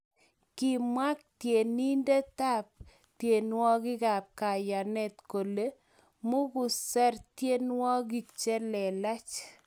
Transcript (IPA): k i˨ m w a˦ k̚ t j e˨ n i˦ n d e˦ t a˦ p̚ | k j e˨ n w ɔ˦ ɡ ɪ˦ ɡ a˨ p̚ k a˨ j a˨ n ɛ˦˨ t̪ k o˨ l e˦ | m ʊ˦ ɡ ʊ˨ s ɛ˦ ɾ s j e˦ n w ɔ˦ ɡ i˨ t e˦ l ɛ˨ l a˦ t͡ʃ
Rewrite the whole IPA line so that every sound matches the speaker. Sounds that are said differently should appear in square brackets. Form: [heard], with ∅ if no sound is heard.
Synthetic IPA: k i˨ m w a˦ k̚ t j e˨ n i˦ n d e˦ t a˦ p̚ | [t] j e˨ n w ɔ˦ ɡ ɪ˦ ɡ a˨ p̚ k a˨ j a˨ n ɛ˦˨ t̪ k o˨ l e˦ | m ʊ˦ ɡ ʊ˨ s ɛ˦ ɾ [t] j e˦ n w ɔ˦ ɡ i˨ [t͡ʃ] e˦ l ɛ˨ l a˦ t͡ʃ